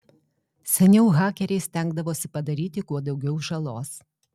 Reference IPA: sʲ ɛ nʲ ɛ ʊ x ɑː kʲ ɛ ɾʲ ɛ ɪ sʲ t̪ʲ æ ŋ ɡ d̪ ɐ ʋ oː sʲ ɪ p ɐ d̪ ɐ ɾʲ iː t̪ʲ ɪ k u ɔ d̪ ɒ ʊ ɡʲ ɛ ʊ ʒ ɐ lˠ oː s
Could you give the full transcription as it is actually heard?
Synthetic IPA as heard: sʲ ɛ nʲ ɛ ʊ ɣ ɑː kʲ ɛ ɾʲ ɛ ɪ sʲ t̪ʲ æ ŋ ɡ d̪ ɐ ʋ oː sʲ ɪ p ɐ d̪ ɐ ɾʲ iː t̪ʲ ɪ k u ɔ d̪ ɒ ʊ ɡʲ ɛ ʊ ʒ ɐ lˠ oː s